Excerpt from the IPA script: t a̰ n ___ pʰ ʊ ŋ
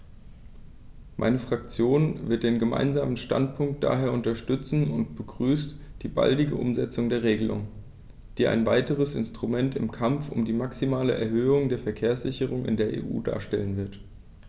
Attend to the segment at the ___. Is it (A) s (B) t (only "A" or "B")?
B